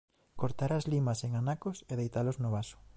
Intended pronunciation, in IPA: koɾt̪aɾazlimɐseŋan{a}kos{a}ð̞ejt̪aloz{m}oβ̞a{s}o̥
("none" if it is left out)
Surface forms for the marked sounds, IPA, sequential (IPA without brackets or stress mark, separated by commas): a, e, n, s